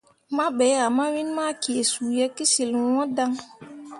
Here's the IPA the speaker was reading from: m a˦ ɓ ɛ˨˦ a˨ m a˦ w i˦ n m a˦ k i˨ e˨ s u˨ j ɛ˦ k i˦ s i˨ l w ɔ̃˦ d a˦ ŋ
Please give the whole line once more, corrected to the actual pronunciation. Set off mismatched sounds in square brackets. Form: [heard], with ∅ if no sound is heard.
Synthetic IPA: m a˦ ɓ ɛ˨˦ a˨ m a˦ w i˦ n m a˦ k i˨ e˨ s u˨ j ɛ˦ k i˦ s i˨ l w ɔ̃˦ d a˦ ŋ